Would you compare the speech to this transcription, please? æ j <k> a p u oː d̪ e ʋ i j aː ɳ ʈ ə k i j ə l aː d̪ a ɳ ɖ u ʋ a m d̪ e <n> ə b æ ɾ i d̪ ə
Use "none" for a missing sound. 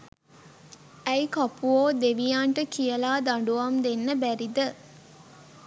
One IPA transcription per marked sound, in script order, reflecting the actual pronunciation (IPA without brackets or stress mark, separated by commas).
k, nː